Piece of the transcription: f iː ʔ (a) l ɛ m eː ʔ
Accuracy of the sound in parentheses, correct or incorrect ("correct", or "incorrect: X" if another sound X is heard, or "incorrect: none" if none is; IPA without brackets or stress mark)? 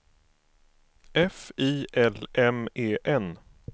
incorrect: ɛ